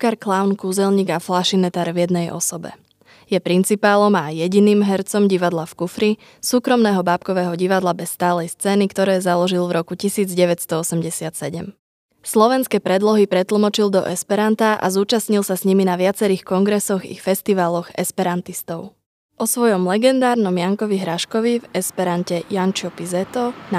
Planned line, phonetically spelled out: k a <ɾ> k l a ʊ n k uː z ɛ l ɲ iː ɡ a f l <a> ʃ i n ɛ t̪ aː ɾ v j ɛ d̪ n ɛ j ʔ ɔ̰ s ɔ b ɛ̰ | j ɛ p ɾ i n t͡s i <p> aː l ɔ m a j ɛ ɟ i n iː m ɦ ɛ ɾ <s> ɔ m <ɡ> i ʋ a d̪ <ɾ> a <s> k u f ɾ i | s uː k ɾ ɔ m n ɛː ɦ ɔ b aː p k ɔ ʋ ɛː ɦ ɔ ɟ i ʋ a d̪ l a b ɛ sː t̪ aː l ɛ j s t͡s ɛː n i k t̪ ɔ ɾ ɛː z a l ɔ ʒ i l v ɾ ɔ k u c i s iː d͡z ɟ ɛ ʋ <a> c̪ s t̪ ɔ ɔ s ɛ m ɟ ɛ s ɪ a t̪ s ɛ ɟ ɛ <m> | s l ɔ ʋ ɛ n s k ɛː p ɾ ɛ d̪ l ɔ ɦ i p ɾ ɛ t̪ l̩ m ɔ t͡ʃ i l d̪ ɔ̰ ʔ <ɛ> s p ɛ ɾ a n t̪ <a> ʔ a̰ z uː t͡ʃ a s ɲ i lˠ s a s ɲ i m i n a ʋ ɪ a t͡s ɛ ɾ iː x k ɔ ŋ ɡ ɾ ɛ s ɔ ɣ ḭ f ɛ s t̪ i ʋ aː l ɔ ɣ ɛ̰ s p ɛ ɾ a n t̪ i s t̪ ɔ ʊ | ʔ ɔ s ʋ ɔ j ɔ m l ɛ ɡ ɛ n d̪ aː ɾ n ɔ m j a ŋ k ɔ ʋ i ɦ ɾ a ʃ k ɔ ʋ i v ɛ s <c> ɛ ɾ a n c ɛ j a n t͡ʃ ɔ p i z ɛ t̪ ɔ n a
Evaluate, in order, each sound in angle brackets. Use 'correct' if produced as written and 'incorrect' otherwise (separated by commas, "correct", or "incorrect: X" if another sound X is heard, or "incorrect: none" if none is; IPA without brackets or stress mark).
correct, correct, correct, incorrect: t͡s, incorrect: ɟ, incorrect: l, incorrect: f, incorrect: ɛ, correct, correct, correct, incorrect: p